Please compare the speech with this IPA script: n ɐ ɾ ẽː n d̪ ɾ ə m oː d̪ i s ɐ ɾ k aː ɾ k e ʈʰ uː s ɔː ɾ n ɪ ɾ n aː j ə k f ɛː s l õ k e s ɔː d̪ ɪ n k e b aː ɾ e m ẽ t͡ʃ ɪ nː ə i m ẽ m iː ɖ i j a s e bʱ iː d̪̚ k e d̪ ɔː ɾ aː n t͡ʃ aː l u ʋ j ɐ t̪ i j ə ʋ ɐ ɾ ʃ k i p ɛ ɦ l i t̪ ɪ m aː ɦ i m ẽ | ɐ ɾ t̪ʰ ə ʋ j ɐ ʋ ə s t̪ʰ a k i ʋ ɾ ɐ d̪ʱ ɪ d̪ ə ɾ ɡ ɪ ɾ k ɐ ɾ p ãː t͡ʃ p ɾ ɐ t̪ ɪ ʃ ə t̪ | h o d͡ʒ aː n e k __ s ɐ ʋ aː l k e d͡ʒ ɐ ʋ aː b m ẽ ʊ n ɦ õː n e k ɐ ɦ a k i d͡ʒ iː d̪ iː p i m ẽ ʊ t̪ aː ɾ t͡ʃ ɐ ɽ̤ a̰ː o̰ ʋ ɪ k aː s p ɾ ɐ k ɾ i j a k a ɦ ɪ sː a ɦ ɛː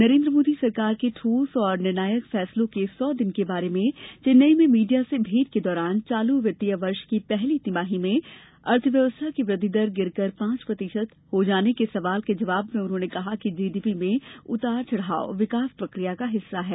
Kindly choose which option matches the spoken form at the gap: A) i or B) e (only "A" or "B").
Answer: B